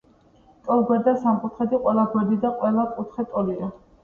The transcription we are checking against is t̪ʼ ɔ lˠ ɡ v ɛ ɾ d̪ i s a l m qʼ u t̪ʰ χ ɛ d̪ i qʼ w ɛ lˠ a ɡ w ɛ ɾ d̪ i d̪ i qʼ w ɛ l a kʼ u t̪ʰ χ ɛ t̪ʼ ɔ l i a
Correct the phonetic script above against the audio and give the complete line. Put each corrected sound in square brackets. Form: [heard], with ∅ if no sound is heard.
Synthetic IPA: t̪ʼ ɔ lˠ ɡ [w] ɛ ɾ d̪ [a] s a [∅] m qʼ u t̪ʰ χ ɛ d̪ i qʼ w ɛ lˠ a ɡ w ɛ ɾ d̪ i d̪ [a] qʼ w ɛ l a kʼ u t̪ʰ χ ɛ t̪ʼ ɔ l i a